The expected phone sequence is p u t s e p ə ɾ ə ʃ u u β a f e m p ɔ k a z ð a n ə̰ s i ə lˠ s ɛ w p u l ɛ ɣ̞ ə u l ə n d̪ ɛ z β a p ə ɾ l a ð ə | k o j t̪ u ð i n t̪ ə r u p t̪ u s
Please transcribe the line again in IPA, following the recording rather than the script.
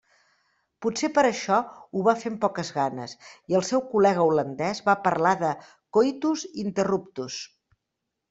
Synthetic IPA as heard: p u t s e p ə ɾ ə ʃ ɔ u β a f e m p ɔ k ə z ɣ a n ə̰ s i ə lˠ s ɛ w k u l ɛ ɣ̞ ə u l ə n d̪ ɛ z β a p ə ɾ l a ð ə | k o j t̪ u z i n t̪ ə r u p t̪ u s